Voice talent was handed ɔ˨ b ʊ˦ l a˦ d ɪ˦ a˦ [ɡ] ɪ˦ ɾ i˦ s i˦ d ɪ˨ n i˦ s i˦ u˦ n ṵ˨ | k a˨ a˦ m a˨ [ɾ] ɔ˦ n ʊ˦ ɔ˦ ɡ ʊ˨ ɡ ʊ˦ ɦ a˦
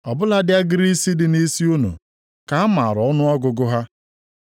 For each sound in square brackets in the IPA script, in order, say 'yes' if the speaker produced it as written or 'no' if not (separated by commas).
yes, yes